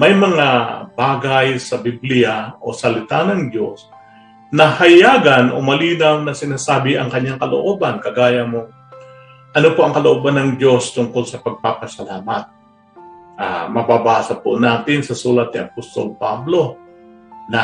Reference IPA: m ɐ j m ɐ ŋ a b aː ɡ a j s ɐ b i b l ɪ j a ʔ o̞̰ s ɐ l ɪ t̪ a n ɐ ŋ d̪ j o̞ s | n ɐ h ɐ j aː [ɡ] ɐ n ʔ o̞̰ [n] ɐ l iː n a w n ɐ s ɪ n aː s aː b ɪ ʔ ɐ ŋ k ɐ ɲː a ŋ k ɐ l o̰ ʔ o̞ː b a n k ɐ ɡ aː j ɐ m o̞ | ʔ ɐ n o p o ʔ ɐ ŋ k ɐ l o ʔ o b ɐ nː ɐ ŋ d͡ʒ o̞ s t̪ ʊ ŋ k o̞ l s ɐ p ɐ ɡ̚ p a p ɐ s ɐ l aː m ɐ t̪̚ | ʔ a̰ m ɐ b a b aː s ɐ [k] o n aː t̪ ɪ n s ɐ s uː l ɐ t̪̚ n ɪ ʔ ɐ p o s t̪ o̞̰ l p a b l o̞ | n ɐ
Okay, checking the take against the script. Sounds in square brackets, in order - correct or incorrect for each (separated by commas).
correct, incorrect, incorrect